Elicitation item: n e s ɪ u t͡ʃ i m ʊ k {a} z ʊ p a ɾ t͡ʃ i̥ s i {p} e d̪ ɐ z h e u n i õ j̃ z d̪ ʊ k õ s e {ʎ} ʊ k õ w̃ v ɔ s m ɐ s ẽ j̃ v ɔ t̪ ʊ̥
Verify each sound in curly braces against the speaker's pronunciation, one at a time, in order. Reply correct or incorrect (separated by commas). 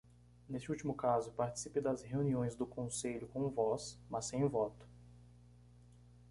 correct, correct, correct